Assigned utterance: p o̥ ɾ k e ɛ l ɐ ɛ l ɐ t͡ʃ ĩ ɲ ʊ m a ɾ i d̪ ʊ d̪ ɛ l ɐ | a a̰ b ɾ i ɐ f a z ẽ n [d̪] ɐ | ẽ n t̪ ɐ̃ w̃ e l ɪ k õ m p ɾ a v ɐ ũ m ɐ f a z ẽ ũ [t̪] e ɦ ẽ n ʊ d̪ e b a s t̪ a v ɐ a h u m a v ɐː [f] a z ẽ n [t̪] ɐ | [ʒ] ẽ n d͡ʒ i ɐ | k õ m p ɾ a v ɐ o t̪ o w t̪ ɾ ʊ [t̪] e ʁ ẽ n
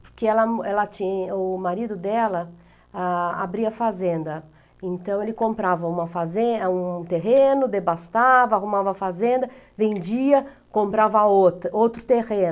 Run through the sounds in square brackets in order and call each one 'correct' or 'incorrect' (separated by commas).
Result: correct, correct, correct, incorrect, incorrect, correct